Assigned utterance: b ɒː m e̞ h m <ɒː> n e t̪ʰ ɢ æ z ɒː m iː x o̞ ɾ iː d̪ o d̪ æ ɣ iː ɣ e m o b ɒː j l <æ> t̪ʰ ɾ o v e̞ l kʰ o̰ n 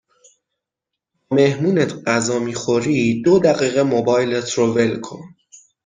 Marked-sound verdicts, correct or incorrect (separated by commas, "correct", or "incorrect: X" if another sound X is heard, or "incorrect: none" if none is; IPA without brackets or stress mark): incorrect: uː, incorrect: e